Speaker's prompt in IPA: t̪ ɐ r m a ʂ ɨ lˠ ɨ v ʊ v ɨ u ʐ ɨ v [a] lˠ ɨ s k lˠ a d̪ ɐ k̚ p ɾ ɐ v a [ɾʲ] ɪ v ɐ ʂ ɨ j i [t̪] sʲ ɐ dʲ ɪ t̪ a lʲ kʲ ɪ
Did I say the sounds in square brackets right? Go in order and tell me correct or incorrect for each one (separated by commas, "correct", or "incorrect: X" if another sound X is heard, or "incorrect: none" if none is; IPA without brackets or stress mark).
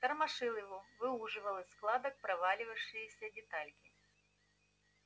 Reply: incorrect: ɐ, incorrect: lʲ, incorrect: none